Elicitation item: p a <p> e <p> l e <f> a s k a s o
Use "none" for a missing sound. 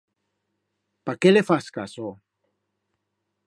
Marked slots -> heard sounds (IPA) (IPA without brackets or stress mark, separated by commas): k, none, f